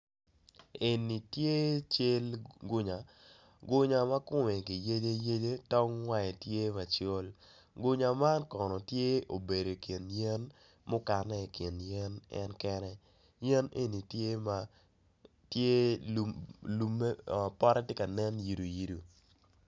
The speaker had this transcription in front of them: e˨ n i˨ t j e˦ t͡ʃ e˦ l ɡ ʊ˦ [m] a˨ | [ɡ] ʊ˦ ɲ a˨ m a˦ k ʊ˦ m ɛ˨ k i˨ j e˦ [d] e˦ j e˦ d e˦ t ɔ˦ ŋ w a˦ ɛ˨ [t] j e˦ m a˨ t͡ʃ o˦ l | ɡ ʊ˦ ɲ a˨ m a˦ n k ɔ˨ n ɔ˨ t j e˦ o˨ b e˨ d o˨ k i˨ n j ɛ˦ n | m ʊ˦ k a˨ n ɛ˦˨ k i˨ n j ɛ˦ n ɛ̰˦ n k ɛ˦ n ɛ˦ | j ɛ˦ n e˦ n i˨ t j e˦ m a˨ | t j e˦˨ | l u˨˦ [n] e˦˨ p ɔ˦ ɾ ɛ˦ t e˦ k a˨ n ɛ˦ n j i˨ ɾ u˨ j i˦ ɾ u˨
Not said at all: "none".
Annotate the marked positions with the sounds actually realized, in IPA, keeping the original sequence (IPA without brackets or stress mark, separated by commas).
ɲ, ɡ, d, t, m